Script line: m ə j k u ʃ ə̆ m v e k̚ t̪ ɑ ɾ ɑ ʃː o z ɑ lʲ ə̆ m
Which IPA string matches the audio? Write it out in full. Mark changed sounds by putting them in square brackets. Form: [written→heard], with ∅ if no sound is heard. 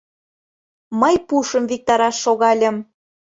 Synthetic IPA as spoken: m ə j [k→p] u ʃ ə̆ m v [e→i] k̚ t̪ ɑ ɾ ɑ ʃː o [z→ɣ] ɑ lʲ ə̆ m